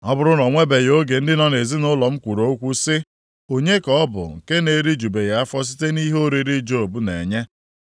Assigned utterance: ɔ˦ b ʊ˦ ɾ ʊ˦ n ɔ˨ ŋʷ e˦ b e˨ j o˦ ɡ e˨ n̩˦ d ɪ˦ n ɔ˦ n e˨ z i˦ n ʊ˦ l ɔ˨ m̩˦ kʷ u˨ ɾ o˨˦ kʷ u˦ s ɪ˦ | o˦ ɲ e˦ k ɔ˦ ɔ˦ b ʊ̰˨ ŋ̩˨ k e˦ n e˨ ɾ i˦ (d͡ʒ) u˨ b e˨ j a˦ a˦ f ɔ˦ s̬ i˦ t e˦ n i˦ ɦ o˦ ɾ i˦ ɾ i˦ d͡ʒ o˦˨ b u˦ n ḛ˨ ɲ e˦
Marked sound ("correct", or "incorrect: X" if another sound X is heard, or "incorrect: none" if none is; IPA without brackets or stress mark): correct